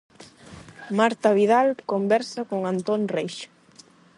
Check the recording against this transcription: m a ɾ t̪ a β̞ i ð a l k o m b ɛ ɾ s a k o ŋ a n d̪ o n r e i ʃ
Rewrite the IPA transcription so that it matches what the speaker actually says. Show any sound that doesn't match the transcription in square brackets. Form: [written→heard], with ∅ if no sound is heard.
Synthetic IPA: m a ɾ t̪ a β̞ i ð a l k o m b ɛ ɾ s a k o ŋ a n [d̪→t̪] o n r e [i→j] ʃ

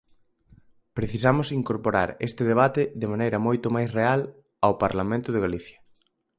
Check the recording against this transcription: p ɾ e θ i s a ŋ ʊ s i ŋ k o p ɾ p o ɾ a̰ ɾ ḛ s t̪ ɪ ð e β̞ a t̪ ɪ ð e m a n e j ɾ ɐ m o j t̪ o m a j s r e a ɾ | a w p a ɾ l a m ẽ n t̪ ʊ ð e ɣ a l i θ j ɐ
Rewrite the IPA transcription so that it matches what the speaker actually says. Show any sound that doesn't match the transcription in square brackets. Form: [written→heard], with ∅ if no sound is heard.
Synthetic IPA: p ɾ e θ i s a [ŋ→m] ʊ s i ŋ k o [p→∅] ɾ p o ɾ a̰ ɾ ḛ s t̪ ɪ ð e β̞ a t̪ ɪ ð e m a n e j ɾ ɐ m o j t̪ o m a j s r e a [ɾ→l] | a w p a ɾ l a m ẽ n t̪ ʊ ð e ɣ a l i θ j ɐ

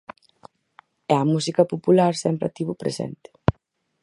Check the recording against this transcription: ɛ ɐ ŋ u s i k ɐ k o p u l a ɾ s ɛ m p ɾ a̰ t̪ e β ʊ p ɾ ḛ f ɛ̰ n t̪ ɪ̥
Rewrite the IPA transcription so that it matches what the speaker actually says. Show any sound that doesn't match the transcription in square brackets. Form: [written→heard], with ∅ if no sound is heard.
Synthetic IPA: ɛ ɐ [ŋ→m] u s i k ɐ [k→p] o p u l a ɾ s ɛ m p ɾ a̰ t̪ [e→i] β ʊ p ɾ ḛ [f→s] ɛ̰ n t̪ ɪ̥

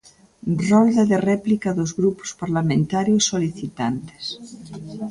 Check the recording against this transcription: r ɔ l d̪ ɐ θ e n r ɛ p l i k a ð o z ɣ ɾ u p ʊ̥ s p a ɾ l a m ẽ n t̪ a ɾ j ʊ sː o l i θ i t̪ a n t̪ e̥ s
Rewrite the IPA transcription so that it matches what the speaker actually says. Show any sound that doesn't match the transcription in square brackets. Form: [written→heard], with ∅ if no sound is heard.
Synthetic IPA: r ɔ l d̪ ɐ [θ→ð] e [n→∅] r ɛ p l i k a ð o z ɣ ɾ u p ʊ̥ s p a ɾ l a m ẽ n t̪ a ɾ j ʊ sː o l i θ i t̪ a n t̪ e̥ s

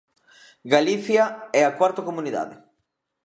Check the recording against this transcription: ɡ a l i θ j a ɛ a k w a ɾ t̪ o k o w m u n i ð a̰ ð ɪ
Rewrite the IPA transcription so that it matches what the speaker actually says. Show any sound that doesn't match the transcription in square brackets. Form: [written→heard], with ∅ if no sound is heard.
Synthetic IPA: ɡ a l i θ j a ɛ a k w a ɾ t̪ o k o [w→∅] m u n i ð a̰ ð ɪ

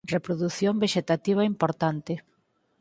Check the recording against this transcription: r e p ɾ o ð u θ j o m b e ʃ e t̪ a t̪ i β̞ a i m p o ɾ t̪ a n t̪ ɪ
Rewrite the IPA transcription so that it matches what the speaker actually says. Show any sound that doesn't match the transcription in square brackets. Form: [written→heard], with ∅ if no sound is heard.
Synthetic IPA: r e p ɾ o ð u θ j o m b e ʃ e t̪ a t̪ i β̞ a i m p o ɾ t̪ a n t̪ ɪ

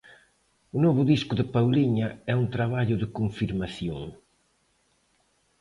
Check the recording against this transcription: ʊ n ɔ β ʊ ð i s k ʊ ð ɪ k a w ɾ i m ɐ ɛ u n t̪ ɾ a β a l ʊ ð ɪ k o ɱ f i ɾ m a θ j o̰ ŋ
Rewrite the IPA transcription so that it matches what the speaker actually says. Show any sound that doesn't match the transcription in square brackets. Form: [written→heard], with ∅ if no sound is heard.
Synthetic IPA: ʊ n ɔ β ʊ ð i s k ʊ ð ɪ [k→p] a w [ɾ→l] i [m→ɲ] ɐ ɛ u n t̪ ɾ a β a [l→ʎ] ʊ ð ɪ k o ɱ f i ɾ m a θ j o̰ ŋ

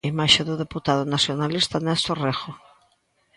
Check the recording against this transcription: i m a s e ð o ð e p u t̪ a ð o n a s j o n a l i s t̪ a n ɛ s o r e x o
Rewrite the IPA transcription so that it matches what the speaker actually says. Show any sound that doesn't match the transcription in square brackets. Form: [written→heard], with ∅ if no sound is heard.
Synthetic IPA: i m a [s→ʃ] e ð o ð e p u t̪ a ð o n a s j o n a l i s t̪ a n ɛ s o r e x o

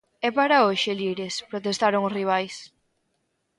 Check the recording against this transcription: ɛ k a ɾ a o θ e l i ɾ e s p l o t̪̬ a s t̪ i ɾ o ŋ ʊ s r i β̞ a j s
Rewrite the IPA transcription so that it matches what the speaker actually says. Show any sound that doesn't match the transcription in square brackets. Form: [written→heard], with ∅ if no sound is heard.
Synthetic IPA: ɛ [k→p] a ɾ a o [θ→ʃ] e l i ɾ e s p [l→ɾ] o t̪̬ [a→e] s t̪ [i→a] ɾ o ŋ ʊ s r i β̞ a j s

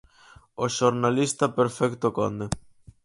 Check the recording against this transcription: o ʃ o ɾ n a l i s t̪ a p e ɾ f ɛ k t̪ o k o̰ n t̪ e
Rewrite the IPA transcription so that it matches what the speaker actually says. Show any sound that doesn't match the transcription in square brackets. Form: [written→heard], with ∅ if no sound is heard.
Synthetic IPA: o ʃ o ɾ n a l i s t̪ a p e ɾ f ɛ k t̪ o k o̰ n [t̪→d̪] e

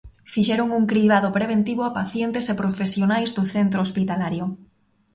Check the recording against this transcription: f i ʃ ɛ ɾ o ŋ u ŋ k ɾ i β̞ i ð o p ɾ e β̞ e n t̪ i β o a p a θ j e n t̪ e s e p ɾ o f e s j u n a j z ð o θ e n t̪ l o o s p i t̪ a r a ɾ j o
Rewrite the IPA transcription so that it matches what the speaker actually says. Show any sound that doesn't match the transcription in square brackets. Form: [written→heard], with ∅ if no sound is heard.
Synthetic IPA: f i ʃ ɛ ɾ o ŋ u ŋ k ɾ i β̞ [i→a] ð o p ɾ e β̞ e n t̪ i β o a p a θ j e n t̪ e s e p ɾ o f e s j [u→o] n a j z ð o θ e n t̪ [l→ɾ] o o s p i t̪ a [r→l] a ɾ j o

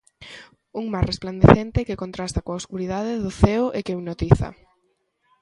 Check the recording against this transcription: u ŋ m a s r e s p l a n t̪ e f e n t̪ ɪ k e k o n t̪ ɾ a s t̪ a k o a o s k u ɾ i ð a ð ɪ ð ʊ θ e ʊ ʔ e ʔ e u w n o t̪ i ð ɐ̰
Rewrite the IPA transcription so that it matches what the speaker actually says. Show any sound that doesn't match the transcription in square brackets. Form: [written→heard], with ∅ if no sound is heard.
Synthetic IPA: u ŋ m a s r e s p l a n [t̪→d̪] e [f→θ] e n t̪ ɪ k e k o n t̪ ɾ a s t̪ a k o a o s k u ɾ i ð a ð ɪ ð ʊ θ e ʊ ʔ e [ʔ→k] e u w n o t̪ i [ð→θ] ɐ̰

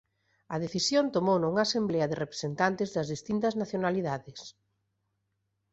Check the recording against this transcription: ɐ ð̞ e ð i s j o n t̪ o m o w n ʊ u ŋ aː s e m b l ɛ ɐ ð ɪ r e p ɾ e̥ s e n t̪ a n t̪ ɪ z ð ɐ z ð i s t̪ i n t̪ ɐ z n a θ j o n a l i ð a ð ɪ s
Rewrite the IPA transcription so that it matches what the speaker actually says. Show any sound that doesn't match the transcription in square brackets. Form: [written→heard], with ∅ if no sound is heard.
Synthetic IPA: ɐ ð̞ e [ð→θ] i s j o n t̪ o m o w n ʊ u ŋ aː s e m b l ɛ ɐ ð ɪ r e p ɾ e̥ s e n t̪ a n t̪ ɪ z ð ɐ z ð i s t̪ i n t̪ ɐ z n a θ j o n a l i ð a ð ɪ s

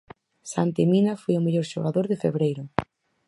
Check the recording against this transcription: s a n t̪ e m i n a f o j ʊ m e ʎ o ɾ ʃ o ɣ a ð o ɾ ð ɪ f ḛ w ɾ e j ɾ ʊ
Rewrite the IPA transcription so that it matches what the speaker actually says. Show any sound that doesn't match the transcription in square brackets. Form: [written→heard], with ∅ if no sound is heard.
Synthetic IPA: s a n t̪ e m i n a f o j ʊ m e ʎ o ɾ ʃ o ɣ a ð o ɾ ð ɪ f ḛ [w→β] ɾ e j ɾ ʊ

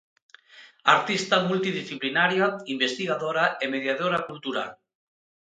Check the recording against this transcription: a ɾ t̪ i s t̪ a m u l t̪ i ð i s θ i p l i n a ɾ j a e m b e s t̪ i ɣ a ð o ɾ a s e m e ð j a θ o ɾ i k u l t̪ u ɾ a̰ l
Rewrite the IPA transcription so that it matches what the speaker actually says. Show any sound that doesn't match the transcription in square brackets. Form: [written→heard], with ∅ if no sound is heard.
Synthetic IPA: a ɾ t̪ i s t̪ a m u l t̪ i ð i s θ i p l i n a ɾ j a [e→i] m b e s t̪ i ɣ a ð o ɾ a [s→∅] e m e ð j a [θ→ð] o ɾ [i→a] k u l t̪ u ɾ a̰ l

